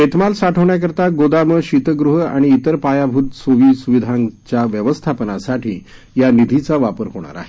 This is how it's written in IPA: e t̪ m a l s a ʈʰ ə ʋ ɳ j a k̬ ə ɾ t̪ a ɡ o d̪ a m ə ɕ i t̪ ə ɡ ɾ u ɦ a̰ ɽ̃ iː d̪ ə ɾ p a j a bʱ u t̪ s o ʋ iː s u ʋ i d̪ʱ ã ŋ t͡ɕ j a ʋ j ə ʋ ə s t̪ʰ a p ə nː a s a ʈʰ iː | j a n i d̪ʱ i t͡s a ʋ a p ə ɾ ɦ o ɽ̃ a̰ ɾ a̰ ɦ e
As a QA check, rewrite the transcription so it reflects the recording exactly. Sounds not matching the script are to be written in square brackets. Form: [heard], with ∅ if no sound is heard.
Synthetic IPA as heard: e t̪ m a l s a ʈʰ ə ʋ ɳ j a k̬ ə ɾ t̪ a ɡ o d̪ a m ə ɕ i t̪ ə ɡ ɾ u ɦ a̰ ɽ̃ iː [t̪] ə ɾ p a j a bʱ u t̪ s o ʋ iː s u ʋ i d̪ʱ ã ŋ t͡ɕ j a ʋ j ə ʋ ə s t̪ʰ a p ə [n] a s a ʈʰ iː | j a n i d̪ʱ i t͡s a ʋ a p ə ɾ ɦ o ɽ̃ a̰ ɾ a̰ ɦ e